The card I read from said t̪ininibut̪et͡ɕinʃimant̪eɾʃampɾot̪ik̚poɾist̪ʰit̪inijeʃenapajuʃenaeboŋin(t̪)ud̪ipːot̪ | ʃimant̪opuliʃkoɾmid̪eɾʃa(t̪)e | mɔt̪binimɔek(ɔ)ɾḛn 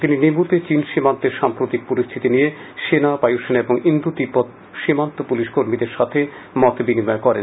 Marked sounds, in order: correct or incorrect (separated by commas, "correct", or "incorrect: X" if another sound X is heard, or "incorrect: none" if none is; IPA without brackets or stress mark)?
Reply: incorrect: d̪, incorrect: t̪ʰ, correct